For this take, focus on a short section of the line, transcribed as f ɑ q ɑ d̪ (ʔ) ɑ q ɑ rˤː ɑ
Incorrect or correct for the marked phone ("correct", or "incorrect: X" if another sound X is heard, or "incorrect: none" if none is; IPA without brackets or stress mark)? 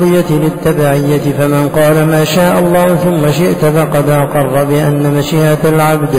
correct